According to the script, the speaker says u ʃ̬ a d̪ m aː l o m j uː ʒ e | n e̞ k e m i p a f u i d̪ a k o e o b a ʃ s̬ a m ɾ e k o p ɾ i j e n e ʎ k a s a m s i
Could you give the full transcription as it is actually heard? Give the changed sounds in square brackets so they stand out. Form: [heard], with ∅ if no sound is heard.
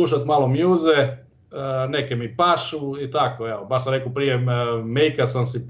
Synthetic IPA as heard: u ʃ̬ a [t̪] m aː l o m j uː [z] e | n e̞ k e m i p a [ʃ] u i [t̪] a k o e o b a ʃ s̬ a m ɾ e k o p ɾ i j e [m] e [j] k a s a m s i